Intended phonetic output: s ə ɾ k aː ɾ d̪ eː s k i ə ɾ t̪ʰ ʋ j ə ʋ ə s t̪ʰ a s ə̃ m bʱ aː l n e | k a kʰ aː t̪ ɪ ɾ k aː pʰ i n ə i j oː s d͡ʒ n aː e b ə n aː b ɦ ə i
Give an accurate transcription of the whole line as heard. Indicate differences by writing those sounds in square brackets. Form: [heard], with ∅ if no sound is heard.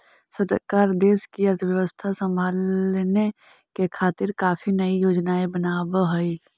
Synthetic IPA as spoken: s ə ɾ k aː ɾ d̪ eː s k i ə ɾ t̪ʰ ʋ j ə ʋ ə s t̪ʰ a s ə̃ m bʱ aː l n e | k [e] kʰ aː t̪ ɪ ɾ k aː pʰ i n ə i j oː [∅] d͡ʒ n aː e b ə n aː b ɦ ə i